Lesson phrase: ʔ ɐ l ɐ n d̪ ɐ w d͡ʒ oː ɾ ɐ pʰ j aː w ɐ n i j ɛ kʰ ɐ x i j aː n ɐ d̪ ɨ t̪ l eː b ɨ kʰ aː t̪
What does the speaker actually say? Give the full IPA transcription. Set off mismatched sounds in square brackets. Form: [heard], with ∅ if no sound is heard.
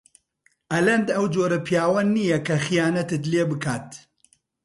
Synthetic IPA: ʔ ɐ l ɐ n d̪ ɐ w d͡ʒ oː ɾ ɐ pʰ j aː w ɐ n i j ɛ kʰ ɐ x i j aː n ɐ [t̪] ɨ t̪ l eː b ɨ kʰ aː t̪